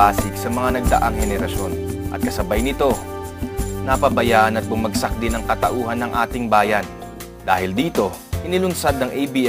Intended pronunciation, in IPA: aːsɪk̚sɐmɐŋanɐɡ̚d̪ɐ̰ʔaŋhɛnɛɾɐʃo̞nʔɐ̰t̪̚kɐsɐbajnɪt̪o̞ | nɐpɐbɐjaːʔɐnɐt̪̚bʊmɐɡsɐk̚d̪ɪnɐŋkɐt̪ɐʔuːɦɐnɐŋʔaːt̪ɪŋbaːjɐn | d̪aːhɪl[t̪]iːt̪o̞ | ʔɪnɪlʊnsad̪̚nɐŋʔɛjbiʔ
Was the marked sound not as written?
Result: yes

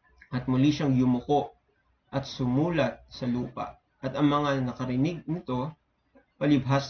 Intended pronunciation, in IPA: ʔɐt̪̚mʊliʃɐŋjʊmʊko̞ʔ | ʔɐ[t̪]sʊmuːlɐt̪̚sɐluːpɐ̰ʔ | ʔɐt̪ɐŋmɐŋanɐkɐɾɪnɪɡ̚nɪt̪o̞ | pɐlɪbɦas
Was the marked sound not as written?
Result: no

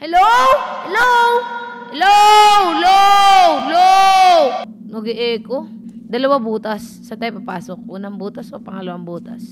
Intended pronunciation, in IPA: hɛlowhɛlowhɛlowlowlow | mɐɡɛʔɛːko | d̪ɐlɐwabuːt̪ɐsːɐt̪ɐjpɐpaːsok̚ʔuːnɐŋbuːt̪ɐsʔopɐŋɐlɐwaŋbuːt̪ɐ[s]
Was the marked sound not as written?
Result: no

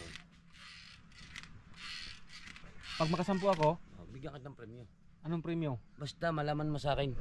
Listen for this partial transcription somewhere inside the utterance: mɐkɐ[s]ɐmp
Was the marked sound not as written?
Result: no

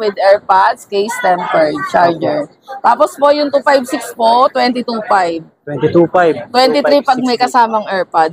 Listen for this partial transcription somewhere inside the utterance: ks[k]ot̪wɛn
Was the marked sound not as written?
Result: yes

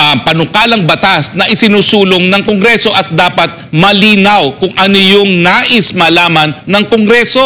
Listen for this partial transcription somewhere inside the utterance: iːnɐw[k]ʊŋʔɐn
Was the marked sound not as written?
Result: no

